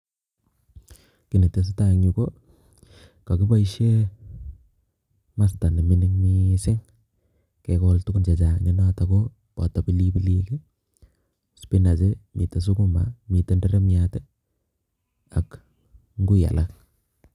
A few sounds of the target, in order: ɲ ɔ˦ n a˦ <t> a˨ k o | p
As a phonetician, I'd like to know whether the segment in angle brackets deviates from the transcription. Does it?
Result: no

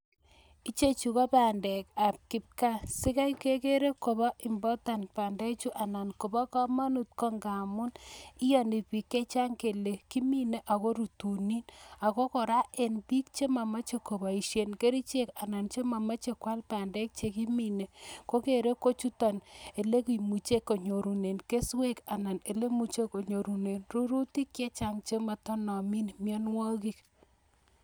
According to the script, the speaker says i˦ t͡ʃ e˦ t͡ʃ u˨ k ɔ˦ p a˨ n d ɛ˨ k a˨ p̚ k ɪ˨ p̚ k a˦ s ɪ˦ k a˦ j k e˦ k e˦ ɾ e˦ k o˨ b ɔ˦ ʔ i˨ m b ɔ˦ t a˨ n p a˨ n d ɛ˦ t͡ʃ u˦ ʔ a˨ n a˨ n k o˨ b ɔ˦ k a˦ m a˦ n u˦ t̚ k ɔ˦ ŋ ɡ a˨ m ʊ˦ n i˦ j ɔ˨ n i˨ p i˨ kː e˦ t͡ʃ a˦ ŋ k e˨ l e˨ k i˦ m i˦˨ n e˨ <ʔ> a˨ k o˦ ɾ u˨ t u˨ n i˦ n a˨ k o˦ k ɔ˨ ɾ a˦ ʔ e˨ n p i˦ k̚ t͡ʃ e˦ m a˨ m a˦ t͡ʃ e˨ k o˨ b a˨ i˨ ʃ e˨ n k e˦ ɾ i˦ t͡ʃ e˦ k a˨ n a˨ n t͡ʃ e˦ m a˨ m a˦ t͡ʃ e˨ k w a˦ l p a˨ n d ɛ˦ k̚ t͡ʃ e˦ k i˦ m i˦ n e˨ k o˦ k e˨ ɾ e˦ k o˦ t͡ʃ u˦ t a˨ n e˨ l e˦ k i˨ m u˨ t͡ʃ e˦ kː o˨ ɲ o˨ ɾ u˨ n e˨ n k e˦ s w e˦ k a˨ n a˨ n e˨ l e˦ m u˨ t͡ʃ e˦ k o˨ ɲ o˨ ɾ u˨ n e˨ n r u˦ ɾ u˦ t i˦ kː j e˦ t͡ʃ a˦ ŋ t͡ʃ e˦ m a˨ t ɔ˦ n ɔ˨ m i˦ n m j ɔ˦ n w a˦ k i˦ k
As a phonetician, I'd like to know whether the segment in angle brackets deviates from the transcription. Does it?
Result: no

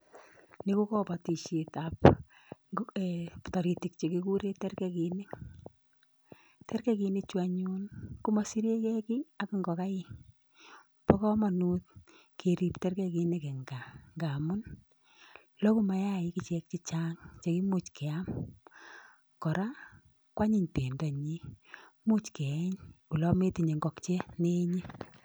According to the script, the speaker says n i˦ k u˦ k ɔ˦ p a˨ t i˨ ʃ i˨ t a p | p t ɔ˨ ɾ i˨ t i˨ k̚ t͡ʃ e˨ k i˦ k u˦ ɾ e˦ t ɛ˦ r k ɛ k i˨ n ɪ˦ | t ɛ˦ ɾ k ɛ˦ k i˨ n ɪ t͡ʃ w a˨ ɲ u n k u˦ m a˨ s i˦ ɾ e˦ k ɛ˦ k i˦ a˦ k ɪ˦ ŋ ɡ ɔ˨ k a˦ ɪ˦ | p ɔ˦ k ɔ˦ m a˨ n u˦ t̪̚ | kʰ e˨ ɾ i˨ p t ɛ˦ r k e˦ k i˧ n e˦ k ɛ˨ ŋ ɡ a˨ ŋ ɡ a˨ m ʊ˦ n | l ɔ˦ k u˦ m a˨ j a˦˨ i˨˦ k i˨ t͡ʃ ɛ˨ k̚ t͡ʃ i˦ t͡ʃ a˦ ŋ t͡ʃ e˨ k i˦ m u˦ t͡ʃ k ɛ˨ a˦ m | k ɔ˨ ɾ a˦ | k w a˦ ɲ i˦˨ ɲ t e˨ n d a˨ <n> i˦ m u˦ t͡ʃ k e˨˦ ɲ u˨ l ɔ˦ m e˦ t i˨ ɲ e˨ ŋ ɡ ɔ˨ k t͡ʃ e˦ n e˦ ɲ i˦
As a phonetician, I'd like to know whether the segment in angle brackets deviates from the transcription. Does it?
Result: yes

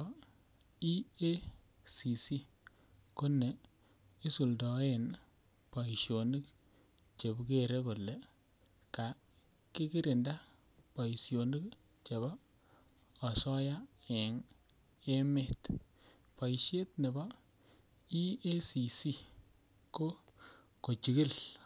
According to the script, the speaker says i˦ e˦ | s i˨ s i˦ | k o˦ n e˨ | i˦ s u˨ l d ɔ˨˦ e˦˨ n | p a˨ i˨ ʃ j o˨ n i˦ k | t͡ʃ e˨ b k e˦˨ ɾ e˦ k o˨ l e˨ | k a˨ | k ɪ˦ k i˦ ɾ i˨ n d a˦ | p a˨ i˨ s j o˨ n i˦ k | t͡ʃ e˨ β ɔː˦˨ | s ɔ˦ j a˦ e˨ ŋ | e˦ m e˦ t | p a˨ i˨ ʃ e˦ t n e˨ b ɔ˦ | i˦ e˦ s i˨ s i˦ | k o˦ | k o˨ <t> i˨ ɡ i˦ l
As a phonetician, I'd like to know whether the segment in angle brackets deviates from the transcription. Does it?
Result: yes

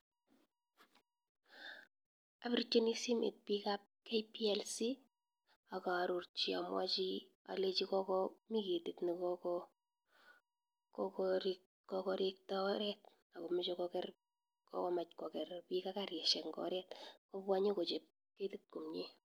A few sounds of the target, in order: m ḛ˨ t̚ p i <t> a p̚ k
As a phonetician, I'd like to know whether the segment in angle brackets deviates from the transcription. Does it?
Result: yes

